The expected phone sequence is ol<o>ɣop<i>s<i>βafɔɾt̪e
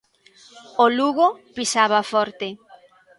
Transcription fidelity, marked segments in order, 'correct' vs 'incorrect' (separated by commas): incorrect, correct, incorrect